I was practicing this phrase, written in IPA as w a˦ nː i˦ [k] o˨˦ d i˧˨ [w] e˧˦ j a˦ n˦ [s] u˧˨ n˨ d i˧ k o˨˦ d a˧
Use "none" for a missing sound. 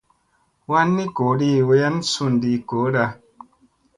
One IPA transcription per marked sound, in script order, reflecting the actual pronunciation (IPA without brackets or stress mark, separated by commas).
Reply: k, w, s